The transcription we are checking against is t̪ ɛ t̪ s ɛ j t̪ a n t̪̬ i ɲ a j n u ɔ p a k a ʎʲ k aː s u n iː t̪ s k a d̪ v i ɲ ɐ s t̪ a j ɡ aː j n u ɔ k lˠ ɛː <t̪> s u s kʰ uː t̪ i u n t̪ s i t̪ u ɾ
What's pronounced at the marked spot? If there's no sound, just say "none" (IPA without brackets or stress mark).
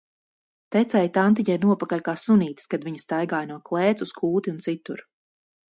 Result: t̪